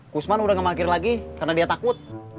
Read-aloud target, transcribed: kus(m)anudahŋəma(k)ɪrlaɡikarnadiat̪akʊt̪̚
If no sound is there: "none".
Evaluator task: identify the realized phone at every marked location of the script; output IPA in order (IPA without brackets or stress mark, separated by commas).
m, k